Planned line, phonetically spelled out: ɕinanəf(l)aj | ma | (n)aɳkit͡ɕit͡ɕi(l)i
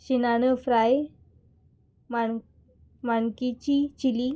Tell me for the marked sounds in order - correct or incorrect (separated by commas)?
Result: incorrect, incorrect, correct